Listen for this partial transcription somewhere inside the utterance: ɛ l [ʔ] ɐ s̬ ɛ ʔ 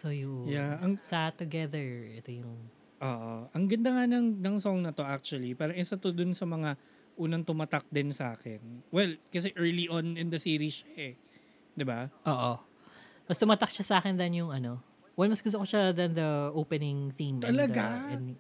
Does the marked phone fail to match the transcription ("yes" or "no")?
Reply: yes